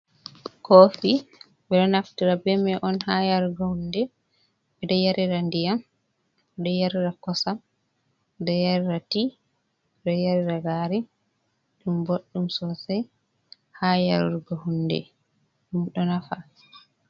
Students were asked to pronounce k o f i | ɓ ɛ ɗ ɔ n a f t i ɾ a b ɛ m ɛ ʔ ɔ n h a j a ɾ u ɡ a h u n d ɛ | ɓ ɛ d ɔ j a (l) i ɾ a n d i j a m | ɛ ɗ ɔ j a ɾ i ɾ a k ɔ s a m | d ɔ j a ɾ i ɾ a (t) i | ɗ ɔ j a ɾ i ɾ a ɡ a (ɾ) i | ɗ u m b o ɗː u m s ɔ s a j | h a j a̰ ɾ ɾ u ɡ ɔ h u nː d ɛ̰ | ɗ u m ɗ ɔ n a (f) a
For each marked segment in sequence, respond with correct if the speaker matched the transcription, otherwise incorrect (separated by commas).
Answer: incorrect, correct, correct, correct